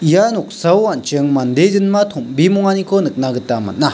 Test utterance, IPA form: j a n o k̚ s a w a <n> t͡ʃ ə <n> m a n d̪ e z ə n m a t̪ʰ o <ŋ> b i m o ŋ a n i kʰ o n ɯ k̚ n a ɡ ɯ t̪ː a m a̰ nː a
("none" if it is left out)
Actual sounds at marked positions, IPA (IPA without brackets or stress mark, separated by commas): n, ŋ, m